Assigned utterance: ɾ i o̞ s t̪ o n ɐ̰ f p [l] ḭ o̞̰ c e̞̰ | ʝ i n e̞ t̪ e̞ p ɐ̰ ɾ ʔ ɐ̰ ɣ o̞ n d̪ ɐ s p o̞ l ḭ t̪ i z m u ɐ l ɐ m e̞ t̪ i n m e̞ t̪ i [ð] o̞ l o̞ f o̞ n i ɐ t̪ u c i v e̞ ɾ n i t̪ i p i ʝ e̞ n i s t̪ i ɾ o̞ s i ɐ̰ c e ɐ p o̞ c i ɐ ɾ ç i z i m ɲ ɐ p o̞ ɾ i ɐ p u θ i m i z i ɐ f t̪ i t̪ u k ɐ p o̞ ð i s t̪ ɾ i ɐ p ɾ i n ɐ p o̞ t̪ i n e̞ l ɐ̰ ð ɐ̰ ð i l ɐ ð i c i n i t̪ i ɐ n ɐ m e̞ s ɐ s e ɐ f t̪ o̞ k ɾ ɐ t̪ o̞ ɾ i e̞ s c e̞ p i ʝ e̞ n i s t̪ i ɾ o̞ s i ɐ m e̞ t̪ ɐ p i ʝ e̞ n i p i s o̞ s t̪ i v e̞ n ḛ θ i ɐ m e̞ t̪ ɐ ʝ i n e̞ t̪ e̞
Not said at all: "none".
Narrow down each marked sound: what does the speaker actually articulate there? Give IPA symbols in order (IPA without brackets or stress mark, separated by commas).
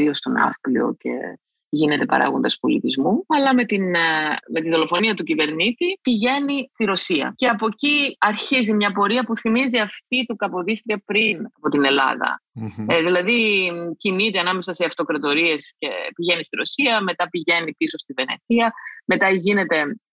l, ð